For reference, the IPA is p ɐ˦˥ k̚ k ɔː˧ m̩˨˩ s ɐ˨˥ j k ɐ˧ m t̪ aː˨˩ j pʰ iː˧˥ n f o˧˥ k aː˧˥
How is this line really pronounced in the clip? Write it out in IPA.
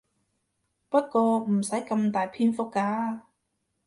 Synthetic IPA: p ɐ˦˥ t̚ k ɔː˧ m̩˨˩ s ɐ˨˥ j k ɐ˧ m t̪ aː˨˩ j pʰ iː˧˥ n f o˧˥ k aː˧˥

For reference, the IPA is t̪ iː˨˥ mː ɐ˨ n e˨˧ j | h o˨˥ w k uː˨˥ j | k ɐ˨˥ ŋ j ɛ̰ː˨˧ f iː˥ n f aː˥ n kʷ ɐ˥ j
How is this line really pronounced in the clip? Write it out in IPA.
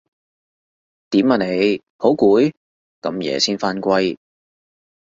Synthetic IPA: t̪ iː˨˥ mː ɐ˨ n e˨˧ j | h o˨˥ w k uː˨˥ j | k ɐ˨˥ m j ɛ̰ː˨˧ s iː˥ n f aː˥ n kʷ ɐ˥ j

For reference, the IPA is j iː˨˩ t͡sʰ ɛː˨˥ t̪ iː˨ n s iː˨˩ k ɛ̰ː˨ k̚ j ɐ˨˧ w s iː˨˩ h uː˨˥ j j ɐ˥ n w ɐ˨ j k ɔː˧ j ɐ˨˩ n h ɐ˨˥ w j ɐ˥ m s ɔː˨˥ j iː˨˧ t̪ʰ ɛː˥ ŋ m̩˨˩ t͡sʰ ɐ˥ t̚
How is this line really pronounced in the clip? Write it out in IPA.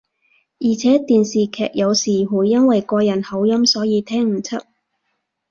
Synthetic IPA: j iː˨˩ t͡sʰ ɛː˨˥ t̪ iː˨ n s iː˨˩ kʰ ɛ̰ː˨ k̚ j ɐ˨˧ w s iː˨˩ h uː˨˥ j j ɐ˥ n w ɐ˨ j k ɔː˧ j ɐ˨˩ n h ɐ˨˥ w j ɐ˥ m s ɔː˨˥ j iː˨˧ t̪ʰ ɛː˥ ŋ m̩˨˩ t͡sʰ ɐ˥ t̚

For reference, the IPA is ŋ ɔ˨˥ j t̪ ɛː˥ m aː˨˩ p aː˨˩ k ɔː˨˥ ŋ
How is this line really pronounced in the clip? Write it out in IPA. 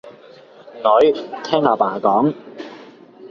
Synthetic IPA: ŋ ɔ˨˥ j t̪ʰ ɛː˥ ŋ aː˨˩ p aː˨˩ k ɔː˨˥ ŋ

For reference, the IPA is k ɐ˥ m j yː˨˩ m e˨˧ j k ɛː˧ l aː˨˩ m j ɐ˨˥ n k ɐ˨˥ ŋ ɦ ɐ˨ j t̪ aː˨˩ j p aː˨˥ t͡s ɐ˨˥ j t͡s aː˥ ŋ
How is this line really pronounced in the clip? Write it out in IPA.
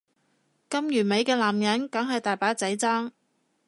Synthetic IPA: k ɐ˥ m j yː˨˩ m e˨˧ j k ɛː˧ l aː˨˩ m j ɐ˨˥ n k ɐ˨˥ ŋ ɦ ɐ˨ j t̪ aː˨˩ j p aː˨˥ t͡s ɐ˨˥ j t͡s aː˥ ŋ

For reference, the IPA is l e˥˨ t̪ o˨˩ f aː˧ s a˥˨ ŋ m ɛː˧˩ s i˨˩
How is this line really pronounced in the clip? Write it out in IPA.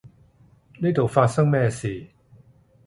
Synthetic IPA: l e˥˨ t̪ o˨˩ f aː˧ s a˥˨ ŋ m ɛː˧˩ s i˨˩

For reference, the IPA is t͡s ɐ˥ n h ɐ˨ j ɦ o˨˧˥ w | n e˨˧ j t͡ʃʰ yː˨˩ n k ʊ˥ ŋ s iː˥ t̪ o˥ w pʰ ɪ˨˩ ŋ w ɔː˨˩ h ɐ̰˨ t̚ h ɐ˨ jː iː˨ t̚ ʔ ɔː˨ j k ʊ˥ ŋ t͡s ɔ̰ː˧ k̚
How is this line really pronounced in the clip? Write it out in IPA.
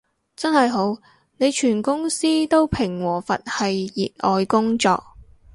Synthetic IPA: t͡s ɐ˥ n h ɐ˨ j ɦ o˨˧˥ w | n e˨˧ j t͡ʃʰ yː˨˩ n k ʊ˥ ŋ s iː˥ t̪ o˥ w pʰ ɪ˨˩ ŋ w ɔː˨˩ f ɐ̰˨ t̚ h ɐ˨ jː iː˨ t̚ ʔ ɔː˨ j k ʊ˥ ŋ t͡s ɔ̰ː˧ k̚

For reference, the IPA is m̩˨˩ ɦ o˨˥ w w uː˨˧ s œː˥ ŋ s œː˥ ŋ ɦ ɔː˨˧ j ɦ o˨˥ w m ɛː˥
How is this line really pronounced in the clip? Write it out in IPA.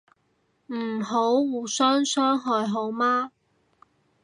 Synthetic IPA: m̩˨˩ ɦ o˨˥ w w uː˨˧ s œː˥ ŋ s œː˥ ŋ ɦ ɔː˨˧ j ɦ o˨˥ w m aː˥

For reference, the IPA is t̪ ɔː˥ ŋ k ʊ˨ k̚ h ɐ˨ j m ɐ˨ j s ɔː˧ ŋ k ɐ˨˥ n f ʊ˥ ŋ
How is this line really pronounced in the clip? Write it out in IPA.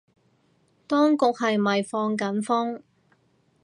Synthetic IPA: t̪ ɔː˥ ŋ k ʊ˨ k̚ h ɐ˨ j m ɐ˨ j f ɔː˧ ŋ k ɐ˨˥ n f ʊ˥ ŋ

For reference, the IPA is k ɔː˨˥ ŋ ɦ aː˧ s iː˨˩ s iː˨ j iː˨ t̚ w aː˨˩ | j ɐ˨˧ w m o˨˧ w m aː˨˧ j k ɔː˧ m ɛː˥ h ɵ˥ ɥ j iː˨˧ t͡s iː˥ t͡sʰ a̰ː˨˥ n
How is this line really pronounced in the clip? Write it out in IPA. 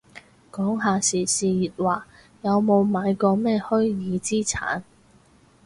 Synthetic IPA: k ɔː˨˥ ŋ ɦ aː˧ s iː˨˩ s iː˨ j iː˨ t̚ w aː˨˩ | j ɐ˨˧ w m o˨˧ w m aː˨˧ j k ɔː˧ m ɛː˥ h ɵ˥ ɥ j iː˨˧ t͡s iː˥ t͡sʰ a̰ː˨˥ n

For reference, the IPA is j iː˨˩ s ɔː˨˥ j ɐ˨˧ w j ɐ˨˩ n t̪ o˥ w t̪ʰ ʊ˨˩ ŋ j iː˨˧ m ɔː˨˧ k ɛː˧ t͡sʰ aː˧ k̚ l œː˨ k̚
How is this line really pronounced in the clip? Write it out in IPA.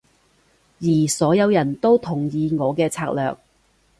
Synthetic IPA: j iː˨˩ s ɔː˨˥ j ɐ˨˧ w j ɐ˨˩ n t̪ o˥ w t̪ʰ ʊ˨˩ ŋ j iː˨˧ ŋ ɔː˨˧ k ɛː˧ t͡sʰ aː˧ k̚ l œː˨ k̚

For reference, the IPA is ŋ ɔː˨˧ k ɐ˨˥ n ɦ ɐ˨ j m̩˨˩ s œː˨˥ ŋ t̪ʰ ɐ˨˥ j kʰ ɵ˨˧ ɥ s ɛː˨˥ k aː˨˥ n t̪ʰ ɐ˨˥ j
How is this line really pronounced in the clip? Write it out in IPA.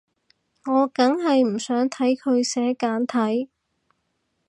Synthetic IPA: ŋ ɔː˨˧ k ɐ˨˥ ŋ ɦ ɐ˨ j m̩˨˩ s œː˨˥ ŋ t̪ʰ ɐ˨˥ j kʰ ɵ˨˧ ɥ s ɛː˨˥ k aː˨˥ n t̪ʰ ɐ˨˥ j

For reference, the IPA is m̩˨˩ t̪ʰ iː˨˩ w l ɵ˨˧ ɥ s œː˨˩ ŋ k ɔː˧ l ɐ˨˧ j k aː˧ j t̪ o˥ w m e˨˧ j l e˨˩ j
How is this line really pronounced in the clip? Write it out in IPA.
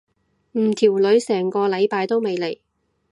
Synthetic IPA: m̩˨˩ t̪ʰ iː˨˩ w l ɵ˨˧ ɥ s ɛː˨˩ ŋ k ɔː˧ l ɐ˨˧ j p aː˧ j t̪ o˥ w m e˨˧ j l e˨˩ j

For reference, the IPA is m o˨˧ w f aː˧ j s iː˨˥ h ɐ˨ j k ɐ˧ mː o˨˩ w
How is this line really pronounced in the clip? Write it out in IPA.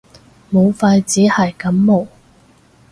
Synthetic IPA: m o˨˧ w f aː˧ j t͡s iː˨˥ h ɐ˨ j k ɐ˨˥ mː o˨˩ w

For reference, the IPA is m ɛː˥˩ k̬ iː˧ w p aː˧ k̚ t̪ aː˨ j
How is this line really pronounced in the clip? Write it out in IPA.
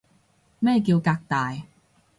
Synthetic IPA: m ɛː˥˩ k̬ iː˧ w k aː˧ k̚ t̪ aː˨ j

